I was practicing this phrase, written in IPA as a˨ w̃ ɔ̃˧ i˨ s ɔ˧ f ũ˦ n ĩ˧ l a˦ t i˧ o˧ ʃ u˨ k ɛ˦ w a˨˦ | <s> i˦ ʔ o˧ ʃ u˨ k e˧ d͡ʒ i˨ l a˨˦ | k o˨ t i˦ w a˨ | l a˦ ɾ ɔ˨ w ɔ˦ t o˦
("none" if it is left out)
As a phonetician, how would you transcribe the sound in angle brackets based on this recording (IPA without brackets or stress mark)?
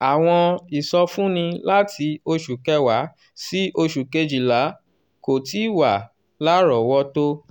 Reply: s